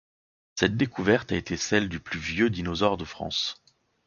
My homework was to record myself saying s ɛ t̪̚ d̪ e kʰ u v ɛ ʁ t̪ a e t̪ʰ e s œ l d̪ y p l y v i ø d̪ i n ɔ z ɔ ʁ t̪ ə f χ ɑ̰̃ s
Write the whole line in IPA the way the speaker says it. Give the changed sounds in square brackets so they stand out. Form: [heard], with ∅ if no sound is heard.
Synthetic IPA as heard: s ɛ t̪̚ d̪ e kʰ u v ɛ ʁ t̪ a e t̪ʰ e s [ɛ] l d̪ y p l y v [j] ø d̪ i n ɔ z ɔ ʁ [d̪] ə f χ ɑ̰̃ s